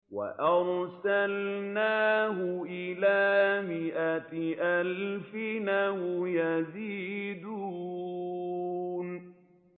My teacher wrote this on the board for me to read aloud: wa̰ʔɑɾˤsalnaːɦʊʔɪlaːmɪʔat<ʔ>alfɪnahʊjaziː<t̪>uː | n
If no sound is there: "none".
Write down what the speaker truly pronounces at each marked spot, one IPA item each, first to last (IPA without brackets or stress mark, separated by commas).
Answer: ʔ, d̪